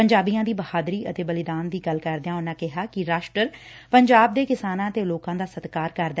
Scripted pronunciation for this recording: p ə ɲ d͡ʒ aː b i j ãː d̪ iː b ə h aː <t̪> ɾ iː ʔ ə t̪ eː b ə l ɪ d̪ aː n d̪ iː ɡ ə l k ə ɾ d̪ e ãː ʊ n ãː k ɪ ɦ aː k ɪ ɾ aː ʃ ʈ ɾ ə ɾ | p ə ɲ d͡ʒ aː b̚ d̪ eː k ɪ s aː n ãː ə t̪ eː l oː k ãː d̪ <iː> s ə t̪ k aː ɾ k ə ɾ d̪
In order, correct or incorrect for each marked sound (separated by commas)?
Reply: incorrect, incorrect